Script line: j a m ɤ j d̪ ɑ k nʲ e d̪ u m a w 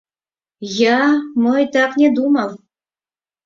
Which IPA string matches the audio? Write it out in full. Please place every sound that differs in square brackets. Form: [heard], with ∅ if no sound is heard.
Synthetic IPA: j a m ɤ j [t̪] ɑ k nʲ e d̪ u m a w